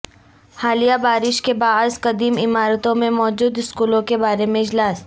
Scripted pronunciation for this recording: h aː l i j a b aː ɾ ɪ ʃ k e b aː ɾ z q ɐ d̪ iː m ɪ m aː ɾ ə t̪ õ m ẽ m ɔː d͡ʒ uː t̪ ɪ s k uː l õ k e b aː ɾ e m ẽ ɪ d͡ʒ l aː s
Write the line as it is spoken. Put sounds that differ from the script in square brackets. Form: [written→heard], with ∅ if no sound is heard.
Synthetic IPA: h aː l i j a b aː ɾ ɪ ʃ k e b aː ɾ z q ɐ d̪ iː m ɪ m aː ɾ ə t̪ õ m ẽ m ɔː d͡ʒ uː [t̪→d̪] ɪ s k uː l õ k e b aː ɾ e m ẽ ɪ d͡ʒ l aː s